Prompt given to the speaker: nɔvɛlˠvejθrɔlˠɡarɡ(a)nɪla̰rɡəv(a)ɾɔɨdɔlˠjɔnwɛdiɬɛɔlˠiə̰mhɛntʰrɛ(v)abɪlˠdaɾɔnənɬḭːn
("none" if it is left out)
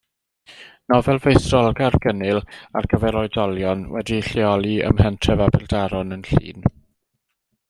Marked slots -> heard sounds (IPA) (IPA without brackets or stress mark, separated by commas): ə, ɛ, v